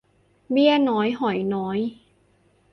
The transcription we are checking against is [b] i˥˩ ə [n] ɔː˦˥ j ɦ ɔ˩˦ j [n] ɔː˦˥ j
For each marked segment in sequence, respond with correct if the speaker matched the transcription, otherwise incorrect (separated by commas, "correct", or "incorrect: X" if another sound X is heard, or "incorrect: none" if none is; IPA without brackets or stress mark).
correct, correct, correct